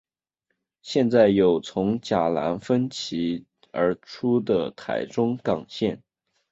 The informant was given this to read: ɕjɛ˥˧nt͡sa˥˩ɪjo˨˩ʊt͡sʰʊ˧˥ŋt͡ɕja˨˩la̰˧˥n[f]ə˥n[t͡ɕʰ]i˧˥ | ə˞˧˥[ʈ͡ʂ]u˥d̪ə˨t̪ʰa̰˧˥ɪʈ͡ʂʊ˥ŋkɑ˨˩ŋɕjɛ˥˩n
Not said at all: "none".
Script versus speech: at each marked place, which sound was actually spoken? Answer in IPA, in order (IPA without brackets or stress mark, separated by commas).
f, t͡ɕʰ, ʈ͡ʂʰ